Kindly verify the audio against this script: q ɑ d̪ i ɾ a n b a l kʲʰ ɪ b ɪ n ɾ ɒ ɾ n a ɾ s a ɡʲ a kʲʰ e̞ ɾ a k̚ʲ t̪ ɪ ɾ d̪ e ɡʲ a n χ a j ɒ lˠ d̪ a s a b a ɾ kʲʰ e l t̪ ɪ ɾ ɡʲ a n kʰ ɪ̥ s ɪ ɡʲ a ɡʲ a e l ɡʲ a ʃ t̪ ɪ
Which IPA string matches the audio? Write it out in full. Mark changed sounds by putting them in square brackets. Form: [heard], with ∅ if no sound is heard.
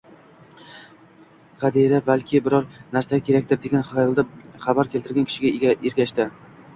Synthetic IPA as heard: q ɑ d̪ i ɾ a [∅] b a l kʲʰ ɪ b ɪ [∅] ɾ ɒ ɾ n a ɾ s a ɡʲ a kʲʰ e̞ ɾ a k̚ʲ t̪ ɪ ɾ d̪ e ɡʲ a n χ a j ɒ lˠ d̪ a [χ] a b a ɾ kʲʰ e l t̪ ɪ ɾ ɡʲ a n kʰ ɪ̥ [ʃ] ɪ ɡʲ a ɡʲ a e [ɾ] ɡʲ a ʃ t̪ ɪ